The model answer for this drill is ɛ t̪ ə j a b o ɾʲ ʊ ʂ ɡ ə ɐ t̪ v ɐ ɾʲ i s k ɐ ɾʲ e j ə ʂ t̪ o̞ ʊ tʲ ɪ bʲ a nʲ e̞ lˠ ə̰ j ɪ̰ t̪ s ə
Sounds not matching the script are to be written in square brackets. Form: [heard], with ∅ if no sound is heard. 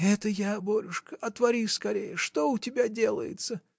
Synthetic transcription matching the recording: ɛ t̪ ə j a b o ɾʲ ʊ ʂ [k] ə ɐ t̪ v ɐ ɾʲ i s k ɐ ɾʲ e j ə ʂ t̪ o̞ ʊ tʲ ɪ bʲ a [dʲ] e̞ lˠ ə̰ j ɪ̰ t̪ s ə